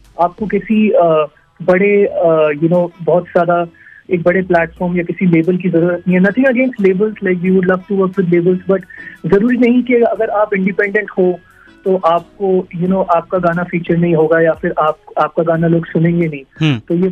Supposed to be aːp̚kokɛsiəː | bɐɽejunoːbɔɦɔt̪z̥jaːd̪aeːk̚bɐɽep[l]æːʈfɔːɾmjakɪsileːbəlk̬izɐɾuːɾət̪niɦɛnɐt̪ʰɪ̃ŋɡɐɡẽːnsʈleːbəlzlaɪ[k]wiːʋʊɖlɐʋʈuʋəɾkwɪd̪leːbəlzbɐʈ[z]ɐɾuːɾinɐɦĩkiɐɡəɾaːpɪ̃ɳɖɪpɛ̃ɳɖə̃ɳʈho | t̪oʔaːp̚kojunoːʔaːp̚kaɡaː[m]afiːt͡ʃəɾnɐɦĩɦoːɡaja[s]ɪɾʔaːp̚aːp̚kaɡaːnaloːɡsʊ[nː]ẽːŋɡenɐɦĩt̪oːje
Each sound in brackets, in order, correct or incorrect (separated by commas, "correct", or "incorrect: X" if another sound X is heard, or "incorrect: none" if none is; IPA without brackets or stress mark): correct, correct, correct, incorrect: n, incorrect: f, incorrect: n